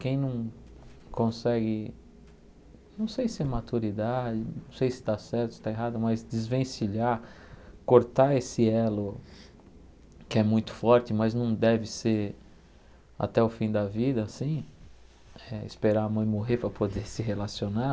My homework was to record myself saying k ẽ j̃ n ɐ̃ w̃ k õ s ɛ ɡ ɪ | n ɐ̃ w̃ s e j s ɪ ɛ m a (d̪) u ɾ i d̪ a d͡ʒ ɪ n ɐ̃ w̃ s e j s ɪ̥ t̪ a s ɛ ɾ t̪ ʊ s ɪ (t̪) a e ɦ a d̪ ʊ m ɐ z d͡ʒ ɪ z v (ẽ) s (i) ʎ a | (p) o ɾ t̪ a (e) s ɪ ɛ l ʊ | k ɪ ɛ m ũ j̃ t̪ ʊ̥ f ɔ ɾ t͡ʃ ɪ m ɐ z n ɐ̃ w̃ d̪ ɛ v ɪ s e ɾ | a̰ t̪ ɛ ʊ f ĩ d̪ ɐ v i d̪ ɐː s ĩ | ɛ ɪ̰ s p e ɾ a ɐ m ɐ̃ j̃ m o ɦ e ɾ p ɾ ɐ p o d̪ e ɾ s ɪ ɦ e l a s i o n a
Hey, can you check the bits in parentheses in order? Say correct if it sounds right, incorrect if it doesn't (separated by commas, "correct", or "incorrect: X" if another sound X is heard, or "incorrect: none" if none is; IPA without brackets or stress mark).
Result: incorrect: t̪, correct, correct, correct, incorrect: k, correct